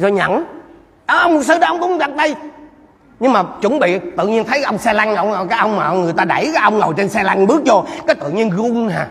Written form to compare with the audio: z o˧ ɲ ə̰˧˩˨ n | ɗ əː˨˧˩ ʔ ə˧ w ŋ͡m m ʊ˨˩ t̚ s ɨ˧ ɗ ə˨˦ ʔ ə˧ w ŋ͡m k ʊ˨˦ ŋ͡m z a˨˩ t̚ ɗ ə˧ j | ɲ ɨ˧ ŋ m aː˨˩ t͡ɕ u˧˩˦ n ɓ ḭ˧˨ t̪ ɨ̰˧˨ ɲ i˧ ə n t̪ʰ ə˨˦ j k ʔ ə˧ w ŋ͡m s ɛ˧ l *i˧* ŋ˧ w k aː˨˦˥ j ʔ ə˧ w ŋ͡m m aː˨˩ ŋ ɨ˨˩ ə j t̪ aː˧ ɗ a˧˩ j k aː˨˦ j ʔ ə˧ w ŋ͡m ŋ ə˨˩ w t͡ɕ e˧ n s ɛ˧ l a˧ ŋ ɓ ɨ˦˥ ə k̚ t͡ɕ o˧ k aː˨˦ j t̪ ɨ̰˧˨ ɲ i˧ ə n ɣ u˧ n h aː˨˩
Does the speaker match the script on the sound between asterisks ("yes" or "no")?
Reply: no